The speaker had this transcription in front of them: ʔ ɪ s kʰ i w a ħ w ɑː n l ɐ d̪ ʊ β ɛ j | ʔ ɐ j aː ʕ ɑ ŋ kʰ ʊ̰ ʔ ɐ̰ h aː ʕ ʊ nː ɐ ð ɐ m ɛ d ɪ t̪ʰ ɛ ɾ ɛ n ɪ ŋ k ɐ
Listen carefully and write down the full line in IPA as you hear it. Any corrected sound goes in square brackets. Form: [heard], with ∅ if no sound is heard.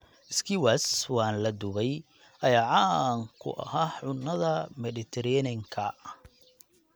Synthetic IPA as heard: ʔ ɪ s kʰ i w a [s] w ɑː n l ɐ d̪ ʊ β ɛ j | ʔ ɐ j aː ʕ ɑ ŋ kʰ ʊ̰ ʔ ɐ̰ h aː ʕ ʊ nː ɐ ð ɐ m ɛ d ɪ t̪ʰ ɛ ɾ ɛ n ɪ ŋ [kʰ] ɐ

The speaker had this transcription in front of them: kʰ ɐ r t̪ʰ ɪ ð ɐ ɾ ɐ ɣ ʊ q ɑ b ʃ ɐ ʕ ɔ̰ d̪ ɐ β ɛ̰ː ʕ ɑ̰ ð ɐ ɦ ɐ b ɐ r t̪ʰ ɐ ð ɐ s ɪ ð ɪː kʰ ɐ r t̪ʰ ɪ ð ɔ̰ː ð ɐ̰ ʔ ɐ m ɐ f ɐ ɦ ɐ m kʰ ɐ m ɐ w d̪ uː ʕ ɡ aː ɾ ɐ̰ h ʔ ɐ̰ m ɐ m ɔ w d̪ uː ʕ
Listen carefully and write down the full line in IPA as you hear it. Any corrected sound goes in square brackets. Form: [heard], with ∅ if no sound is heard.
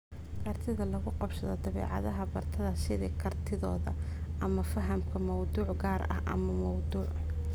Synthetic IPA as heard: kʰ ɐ r t̪ʰ ɪ ð ɐ [l] ɐ ɣ ʊ q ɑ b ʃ ɐ [ð] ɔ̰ d̪ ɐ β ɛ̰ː ʕ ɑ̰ ð ɐ ɦ ɐ b ɐ r t̪ʰ ɐ ð ɐ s ɪ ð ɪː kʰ ɐ r t̪ʰ ɪ ð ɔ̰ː ð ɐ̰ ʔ ɐ m ɐ f ɐ ɦ ɐ m kʰ ɐ m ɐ w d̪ uː ʕ ɡ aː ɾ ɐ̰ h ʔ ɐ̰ m ɐ m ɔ w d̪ uː ʕ

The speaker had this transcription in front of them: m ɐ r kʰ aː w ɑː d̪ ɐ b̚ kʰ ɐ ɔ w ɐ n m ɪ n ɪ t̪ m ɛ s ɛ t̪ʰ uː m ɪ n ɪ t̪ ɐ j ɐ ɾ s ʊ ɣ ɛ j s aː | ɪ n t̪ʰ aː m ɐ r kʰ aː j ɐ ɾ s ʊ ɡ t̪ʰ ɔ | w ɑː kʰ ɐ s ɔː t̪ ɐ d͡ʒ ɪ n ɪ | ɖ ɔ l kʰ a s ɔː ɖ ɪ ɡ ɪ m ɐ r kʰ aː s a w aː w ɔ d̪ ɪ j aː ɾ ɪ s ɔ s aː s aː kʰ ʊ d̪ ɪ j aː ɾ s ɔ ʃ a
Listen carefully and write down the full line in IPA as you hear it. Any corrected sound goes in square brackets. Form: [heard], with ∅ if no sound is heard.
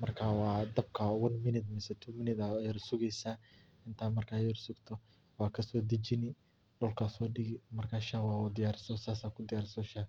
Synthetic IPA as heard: m ɐ r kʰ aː w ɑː d̪ ɐ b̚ kʰ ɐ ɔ w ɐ n m ɪ n ɪ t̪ m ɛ s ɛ t̪ʰ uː m ɪ n ɪ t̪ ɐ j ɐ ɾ s ʊ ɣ ɛ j s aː | ɪ n t̪ʰ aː m ɐ r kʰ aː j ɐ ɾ s ʊ ɡ t̪ʰ ɔ | w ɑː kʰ ɐ s ɔː [d̪] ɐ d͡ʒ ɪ n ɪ | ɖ ɔ l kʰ a s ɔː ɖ ɪ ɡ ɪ m ɐ r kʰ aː [ʃ] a w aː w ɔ d̪ ɪ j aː ɾ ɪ s ɔ s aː s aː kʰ ʊ d̪ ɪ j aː ɾ s ɔ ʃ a

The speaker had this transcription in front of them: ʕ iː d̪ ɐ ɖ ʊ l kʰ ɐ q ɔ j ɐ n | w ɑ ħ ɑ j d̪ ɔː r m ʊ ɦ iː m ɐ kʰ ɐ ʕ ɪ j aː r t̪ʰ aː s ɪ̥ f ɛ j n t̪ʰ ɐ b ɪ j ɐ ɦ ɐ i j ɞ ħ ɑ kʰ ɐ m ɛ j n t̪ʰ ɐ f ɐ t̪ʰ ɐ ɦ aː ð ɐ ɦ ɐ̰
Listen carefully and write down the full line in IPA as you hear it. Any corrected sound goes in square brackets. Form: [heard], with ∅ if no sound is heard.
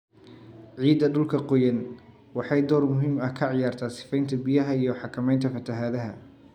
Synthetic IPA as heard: ʕ iː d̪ ɐ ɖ ʊ l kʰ ɐ q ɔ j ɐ n | w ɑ ħ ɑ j d̪ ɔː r m ʊ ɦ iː m ɐ kʰ ɐ ʕ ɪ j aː r t̪ʰ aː s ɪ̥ f ɛ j n t̪ʰ ɐ b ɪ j ɐ ɦ ɐ i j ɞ ħ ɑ kʰ ɐ m ɛ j n t̪ʰ ɐ f ɐ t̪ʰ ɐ ɦ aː ð ɐ ɦ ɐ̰

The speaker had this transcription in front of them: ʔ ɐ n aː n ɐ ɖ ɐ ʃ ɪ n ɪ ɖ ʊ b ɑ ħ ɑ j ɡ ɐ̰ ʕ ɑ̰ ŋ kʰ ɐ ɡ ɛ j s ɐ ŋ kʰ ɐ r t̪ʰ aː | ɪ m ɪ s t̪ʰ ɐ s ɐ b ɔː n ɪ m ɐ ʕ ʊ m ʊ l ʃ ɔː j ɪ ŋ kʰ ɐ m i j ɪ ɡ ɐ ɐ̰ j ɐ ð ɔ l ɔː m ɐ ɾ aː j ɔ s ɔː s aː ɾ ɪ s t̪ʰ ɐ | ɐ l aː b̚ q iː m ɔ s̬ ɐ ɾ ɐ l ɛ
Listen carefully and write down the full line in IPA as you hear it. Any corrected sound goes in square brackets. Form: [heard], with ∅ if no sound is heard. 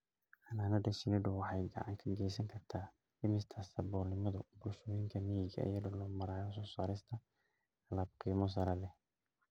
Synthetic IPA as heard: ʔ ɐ n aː n ɐ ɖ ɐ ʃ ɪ n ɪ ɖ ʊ [w] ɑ ħ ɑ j ɡ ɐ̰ ʕ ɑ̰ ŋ kʰ ɐ ɡ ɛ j s ɐ ŋ kʰ ɐ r t̪ʰ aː | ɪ m ɪ s t̪ʰ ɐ s ɐ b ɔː n ɪ m ɐ [ð] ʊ [b] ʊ l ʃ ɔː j ɪ ŋ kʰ ɐ m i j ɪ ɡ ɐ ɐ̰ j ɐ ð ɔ l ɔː m ɐ ɾ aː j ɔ s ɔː s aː ɾ ɪ s t̪ʰ ɐ | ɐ l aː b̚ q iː m ɔ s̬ ɐ ɾ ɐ l ɛ

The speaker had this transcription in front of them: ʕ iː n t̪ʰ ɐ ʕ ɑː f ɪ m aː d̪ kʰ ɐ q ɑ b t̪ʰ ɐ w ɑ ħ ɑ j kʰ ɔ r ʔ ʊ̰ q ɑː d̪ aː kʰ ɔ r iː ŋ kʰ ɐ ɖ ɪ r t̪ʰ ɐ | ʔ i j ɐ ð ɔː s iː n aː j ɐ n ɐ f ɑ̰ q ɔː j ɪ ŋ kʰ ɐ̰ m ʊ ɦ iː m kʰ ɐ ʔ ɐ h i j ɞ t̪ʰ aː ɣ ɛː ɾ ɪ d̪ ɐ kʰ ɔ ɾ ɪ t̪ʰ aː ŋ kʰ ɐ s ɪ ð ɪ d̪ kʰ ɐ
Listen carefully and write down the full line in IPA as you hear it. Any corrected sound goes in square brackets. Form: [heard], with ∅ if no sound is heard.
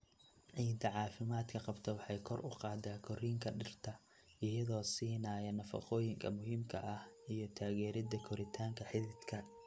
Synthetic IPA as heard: ʕ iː n t̪ʰ ɐ ʕ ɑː f ɪ m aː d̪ kʰ ɐ q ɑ b t̪ʰ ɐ w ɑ ħ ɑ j kʰ ɔ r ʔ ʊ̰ q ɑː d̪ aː kʰ ɔ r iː ŋ kʰ ɐ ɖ ɪ r t̪ʰ ɐ | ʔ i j ɐ ð ɔː s iː n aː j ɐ n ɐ f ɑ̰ q ɔː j ɪ ŋ kʰ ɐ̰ m ʊ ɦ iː m kʰ ɐ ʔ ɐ h i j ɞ t̪ʰ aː ɣ ɛː ɾ ɪ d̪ ɐ kʰ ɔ ɾ ɪ t̪ʰ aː ŋ kʰ ɐ [ħ] ɪ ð ɪ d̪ kʰ ɐ

